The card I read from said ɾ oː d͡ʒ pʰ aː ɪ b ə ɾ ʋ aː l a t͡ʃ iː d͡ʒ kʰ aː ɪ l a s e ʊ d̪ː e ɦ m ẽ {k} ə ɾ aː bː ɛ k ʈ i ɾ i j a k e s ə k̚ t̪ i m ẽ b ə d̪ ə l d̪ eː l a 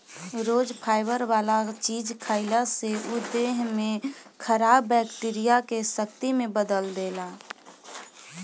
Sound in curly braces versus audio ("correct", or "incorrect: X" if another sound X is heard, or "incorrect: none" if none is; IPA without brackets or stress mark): incorrect: kʰ